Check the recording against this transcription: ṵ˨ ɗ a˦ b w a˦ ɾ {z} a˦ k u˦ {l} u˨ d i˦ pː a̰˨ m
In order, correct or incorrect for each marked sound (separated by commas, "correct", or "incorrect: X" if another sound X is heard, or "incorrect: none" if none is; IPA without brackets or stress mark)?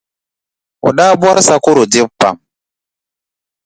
incorrect: s, incorrect: ɾ